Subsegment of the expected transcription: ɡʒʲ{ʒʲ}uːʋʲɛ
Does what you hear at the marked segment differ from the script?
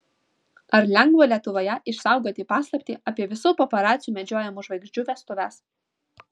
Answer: yes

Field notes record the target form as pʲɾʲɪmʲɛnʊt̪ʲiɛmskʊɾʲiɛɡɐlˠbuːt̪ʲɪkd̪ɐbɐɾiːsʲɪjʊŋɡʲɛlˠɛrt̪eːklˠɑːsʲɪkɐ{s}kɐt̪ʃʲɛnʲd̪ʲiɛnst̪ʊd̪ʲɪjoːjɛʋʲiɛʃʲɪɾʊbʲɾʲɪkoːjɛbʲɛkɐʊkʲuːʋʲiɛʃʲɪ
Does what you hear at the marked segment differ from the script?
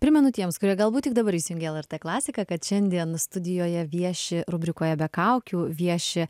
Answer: yes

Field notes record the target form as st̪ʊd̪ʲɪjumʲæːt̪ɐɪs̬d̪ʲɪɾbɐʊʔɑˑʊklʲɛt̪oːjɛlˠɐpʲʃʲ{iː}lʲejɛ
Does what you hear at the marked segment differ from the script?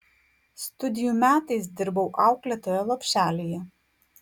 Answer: yes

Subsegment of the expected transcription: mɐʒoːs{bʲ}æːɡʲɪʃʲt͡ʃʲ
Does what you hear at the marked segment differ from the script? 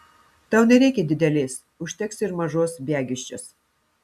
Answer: no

